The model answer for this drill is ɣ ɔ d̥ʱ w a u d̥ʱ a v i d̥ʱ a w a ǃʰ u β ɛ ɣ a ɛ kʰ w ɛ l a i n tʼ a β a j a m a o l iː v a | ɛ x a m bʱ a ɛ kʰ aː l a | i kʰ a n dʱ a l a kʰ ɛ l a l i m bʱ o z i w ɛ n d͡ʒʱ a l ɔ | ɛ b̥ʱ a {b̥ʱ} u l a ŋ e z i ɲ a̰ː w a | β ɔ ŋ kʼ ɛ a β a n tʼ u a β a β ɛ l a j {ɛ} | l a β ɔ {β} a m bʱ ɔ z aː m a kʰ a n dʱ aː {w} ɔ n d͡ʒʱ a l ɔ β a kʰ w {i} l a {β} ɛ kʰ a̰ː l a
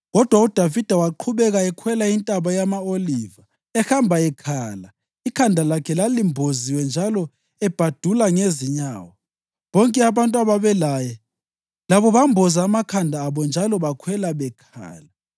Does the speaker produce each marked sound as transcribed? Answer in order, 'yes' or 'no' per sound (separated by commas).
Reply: no, yes, yes, no, no, yes